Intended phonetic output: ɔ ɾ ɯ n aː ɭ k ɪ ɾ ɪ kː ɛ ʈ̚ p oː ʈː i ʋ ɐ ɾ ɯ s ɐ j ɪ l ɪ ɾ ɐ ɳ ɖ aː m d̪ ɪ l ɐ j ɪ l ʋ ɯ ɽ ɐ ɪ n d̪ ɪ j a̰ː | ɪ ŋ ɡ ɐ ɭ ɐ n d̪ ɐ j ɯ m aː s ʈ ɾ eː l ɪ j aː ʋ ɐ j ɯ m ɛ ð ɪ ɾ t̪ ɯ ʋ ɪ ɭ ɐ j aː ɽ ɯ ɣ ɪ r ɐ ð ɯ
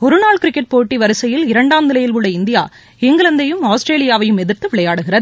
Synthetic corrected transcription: ɔ ɾ ɯ n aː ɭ k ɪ ɾ ɪ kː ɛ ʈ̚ p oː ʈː i ʋ ɐ ɾ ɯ s ɐ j ɪ l ɪ ɾ ɐ ɳ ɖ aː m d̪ ɪ l ɐ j ɪ l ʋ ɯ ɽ ɐ ɪ n d̪ ɪ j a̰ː | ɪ ŋ ɡ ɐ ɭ ɐ n d̪ ɐ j ɯ m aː s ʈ ɾ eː l ɪ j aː ʋ ɐ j ɯ m ɛ ð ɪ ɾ t̪ ɯ ʋ ɪ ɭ ɐ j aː ɽ ɯ ɣ ɪ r ɐ ð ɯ